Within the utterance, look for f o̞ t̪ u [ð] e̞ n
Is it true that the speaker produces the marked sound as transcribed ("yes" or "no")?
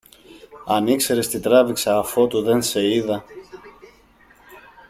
yes